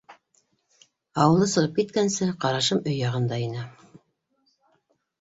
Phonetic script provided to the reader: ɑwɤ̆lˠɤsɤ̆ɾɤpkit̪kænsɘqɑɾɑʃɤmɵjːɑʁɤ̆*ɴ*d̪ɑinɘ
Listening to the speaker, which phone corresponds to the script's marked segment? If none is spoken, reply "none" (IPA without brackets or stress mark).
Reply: n